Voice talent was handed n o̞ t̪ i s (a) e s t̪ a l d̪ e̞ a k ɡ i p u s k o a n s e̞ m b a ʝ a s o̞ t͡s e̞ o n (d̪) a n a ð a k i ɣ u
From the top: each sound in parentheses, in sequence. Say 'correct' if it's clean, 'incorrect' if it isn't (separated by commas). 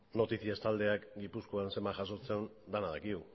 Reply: incorrect, correct